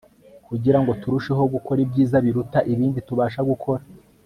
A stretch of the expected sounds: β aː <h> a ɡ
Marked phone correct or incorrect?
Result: incorrect